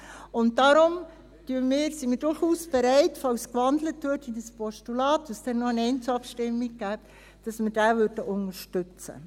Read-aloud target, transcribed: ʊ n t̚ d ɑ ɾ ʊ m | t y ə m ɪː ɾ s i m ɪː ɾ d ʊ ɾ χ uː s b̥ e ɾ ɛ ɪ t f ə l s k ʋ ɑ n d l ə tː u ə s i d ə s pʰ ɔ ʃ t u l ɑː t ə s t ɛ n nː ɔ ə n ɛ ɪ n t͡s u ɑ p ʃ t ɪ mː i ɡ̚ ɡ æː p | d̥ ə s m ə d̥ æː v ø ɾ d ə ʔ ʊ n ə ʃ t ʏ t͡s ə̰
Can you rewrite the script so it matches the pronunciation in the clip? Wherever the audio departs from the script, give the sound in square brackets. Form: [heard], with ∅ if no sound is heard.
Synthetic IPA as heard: ʊ n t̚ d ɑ ɾ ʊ m | t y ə m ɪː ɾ s i m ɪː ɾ d ʊ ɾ χ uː s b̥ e ɾ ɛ ɪ t f [ɑ] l s k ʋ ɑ n d l ə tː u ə [t] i d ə s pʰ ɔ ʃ t u l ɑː t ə s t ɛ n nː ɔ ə n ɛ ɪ n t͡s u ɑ p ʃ t ɪ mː i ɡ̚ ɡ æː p | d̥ [ɑ] s m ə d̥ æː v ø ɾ d ə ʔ ʊ n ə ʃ t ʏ t͡s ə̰